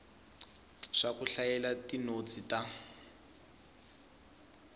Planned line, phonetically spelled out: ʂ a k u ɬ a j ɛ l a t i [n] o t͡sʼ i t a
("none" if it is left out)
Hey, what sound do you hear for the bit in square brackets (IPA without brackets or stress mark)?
n